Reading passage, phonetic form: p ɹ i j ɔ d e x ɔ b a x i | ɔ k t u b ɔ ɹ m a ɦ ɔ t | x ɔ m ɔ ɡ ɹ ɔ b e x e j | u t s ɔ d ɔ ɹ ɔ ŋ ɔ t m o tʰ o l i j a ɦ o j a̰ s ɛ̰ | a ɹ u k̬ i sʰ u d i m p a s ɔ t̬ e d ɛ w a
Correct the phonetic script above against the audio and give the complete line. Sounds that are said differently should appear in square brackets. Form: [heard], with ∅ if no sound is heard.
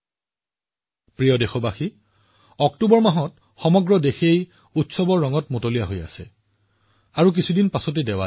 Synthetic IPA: p ɹ i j ɔ d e x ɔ b a x i | ɔ k t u b ɔ ɹ m a ɦ ɔ t | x ɔ m ɔ ɡ ɹ ɔ [d] e x e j | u t s ɔ [b] ɔ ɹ ɔ ŋ ɔ t m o [t] o l i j a ɦ o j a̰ s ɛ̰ | a ɹ u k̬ i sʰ u d i [n] p a s ɔ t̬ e d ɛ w a

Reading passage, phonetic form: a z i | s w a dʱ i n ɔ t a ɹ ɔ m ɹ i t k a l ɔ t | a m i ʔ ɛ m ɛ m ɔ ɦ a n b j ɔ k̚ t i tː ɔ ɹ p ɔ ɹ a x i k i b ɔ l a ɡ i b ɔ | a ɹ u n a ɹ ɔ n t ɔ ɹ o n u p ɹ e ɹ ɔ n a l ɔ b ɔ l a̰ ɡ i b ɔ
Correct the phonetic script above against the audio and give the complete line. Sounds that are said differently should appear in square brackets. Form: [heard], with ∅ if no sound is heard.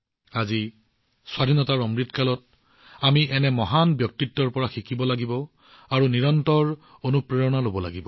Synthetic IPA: a z i | s w a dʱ i n ɔ t a ɹ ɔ m ɹ i t k a l ɔ t | a m i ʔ ɛ [n] ɛ m ɔ ɦ a n b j ɔ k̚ t i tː ɔ ɹ p ɔ ɹ a x i k i b ɔ l a ɡ i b ɔ | a ɹ u n [i] ɹ ɔ n t ɔ ɹ o n u p ɹ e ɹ ɔ n a l [o] b ɔ l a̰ ɡ i b ɔ

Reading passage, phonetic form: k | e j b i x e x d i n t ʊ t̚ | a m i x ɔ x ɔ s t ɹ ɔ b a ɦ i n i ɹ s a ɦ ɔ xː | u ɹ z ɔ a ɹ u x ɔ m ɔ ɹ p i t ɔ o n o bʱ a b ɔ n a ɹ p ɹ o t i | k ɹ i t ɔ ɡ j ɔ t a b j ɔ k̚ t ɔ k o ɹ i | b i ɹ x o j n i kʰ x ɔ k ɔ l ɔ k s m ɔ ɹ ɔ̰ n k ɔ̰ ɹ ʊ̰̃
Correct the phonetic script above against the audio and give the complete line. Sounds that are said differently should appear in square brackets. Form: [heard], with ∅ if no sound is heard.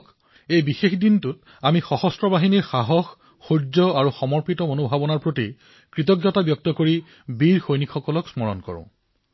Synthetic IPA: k | e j b i x e x d i n t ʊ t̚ | a m i x ɔ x ɔ s t ɹ ɔ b a ɦ i n i ɹ [x] a ɦ ɔ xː | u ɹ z ɔ a ɹ u x ɔ m ɔ ɹ p i t ɔ o n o bʱ a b ɔ n a ɹ p ɹ o t i | k ɹ i t ɔ ɡ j ɔ t a b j ɔ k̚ t ɔ k o ɹ i | b i ɹ x o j n i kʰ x ɔ k ɔ l ɔ k s m ɔ ɹ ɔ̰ n k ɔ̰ ɹ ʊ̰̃

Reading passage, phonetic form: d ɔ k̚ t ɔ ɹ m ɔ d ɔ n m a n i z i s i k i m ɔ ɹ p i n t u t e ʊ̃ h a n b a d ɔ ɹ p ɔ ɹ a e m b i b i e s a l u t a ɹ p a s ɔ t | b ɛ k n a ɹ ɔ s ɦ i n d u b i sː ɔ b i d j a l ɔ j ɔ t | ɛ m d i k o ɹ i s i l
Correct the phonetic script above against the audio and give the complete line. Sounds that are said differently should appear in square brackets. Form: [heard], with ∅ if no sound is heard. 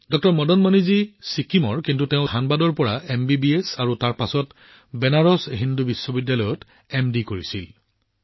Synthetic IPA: d ɔ k̚ t ɔ ɹ m ɔ d ɔ n m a n i z i s i k i m ɔ ɹ [k] i n t u t e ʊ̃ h a n b a d ɔ ɹ p ɔ ɹ a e m b i b i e s a [ɹ] u t a ɹ p a s ɔ t | b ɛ [∅] n a ɹ ɔ s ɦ i n d u b i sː ɔ b i d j a l ɔ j ɔ t | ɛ m d i k o ɹ i s i l

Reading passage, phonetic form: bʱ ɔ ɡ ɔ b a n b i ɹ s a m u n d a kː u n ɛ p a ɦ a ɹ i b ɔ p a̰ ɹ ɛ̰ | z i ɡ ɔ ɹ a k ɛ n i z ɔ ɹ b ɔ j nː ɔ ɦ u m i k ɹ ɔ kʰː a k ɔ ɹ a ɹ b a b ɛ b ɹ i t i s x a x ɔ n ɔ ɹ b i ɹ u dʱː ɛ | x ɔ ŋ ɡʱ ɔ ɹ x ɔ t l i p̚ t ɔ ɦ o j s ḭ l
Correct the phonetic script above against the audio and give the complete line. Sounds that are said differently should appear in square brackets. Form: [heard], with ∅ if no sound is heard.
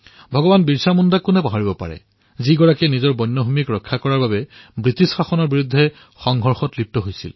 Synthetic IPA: bʱ ɔ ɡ ɔ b a n b i ɹ s a m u n d a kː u n ɛ p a ɦ a ɹ i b ɔ p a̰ ɹ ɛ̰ | z i ɡ ɔ ɹ a k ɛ n i z ɔ ɹ b ɔ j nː ɔ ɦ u m i k ɹ ɔ kʰː a k ɔ ɹ a ɹ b a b ɛ b ɹ i t i s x a x ɔ n ɔ ɹ b i ɹ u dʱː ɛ | x ɔ ŋ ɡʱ ɔ ɹ x ɔ t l i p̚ t ɔ ɦ o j s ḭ l

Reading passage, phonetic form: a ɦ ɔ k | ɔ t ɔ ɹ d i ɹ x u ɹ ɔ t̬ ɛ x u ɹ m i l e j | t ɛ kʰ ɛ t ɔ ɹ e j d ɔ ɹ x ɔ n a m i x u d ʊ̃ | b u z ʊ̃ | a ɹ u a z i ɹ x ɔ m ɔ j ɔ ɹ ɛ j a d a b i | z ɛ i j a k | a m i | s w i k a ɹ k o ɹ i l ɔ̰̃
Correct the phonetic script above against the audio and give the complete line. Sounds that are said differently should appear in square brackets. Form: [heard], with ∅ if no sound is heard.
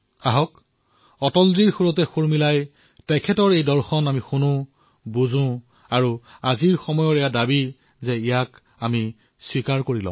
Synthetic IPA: a ɦ ɔ k | ɔ t ɔ [l] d i ɹ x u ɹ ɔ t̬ ɛ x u ɹ m i l [a] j | t ɛ kʰ ɛ t ɔ ɹ e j d ɔ ɹ x ɔ n a m i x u [n] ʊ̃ | b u z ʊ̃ | a ɹ u a z i ɹ x ɔ m ɔ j ɔ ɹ ɛ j a d a b i | z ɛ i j a k | a m i | s w i k a ɹ k o ɹ i l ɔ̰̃

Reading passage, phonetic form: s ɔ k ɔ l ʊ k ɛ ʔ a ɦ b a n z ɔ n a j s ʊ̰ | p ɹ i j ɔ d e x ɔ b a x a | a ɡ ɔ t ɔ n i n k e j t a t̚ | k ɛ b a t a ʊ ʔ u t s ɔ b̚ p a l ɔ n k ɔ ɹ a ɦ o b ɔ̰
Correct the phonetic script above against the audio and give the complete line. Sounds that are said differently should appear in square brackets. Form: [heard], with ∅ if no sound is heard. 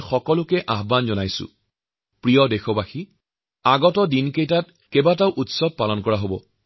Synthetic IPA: [x] ɔ k ɔ l ʊ k ɛ ʔ a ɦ b a n z ɔ n a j s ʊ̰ | p ɹ i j ɔ d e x ɔ b a x [i] | a ɡ ɔ t ɔ [d] i n k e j t a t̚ | k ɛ b a t a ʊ ʔ u t s ɔ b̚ p a l ɔ n k ɔ ɹ a ɦ o b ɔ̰

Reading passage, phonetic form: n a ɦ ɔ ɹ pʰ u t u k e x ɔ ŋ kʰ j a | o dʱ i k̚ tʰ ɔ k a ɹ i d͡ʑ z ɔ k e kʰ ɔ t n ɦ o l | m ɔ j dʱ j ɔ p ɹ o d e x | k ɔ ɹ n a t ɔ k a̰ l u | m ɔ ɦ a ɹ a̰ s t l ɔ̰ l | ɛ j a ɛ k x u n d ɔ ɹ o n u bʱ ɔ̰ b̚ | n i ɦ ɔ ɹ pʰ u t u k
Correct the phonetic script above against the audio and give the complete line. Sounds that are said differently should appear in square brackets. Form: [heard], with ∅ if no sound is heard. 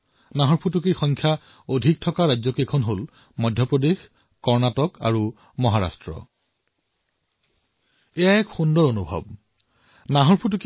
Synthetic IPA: n a ɦ ɔ ɹ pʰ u t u k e x ɔ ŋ kʰ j a | o dʱ i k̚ tʰ ɔ k a ɹ [a] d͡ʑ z ɔ k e kʰ ɔ [∅] n ɦ o l | m ɔ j dʱ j ɔ p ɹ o d e x | k ɔ ɹ n a t ɔ k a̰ [ɹ] u | m ɔ ɦ a ɹ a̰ s t [ɹ] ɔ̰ [∅] | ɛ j a ɛ k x u n d ɔ ɹ o n u bʱ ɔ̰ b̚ | n [a] ɦ ɔ ɹ pʰ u t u k

